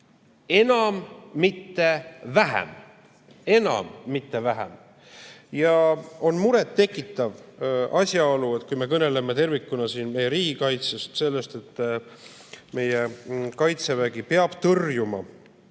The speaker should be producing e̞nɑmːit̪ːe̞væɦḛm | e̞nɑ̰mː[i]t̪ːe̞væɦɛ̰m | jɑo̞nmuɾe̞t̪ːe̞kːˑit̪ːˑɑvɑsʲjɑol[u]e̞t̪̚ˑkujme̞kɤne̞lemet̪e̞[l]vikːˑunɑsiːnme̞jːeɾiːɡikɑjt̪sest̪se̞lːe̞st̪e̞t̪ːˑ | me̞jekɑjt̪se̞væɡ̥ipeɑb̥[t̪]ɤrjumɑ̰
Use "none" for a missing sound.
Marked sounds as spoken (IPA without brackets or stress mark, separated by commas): i, u, r, t̪